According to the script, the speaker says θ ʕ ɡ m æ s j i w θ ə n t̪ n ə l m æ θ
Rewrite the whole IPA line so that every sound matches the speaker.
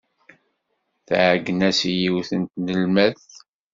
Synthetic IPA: θ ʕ ɡ n æ s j i w θ ə n t̪ n ə l m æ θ